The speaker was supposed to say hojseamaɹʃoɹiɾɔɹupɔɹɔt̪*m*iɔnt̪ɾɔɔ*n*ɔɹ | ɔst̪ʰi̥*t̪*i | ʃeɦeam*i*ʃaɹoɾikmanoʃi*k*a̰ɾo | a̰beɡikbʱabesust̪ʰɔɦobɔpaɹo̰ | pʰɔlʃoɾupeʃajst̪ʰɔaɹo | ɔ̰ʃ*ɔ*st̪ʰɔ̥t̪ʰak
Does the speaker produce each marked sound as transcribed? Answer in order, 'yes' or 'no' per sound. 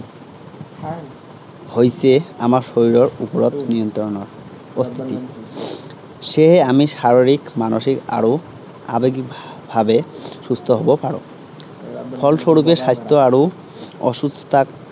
no, yes, yes, yes, yes, no

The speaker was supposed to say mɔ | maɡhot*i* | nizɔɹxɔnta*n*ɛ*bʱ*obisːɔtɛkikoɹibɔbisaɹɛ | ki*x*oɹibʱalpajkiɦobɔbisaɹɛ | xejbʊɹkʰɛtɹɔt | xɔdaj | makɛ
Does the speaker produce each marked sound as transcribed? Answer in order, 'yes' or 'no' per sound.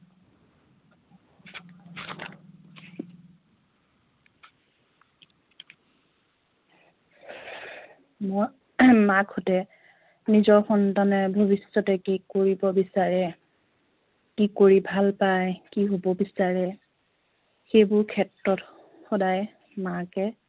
no, yes, yes, no

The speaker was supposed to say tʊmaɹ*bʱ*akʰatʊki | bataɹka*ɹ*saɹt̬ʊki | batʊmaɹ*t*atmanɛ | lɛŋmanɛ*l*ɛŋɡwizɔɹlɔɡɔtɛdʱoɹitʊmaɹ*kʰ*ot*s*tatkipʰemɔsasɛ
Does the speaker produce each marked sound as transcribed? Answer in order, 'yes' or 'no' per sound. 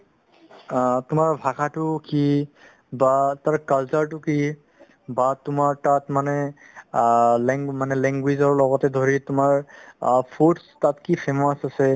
yes, no, yes, yes, no, yes

